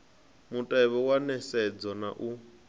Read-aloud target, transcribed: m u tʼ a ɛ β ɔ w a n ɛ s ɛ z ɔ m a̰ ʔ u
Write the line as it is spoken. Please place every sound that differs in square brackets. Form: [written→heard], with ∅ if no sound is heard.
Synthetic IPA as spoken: m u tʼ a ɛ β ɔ w a n ɛ s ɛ [z→d͡z] ɔ [m→n] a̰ ʔ u